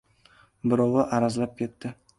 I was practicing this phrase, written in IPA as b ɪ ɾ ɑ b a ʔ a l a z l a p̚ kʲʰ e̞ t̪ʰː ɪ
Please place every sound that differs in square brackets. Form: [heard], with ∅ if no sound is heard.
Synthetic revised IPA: b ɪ ɾ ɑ [w] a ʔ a [ɾ] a z l a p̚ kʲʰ e̞ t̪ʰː ɪ